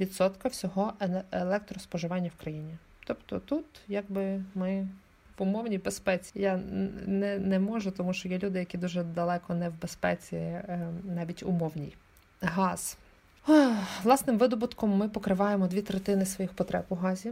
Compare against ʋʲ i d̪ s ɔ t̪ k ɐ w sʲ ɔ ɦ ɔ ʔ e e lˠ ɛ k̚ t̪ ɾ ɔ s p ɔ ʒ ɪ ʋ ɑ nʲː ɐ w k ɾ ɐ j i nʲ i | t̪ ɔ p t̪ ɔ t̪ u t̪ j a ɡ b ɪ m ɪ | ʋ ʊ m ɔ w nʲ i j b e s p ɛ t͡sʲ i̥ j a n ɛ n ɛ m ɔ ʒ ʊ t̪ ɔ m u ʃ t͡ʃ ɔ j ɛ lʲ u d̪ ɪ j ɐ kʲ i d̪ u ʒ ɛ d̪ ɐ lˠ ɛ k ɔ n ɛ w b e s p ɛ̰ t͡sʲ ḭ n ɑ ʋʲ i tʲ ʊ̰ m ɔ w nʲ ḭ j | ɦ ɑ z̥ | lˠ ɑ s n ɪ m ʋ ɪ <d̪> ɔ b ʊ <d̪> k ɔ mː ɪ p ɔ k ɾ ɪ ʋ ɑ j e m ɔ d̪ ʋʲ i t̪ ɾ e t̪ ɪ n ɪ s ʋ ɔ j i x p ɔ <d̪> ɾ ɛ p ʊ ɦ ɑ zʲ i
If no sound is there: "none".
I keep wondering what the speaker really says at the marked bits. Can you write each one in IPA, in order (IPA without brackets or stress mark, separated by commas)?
d̪, t̪, t̪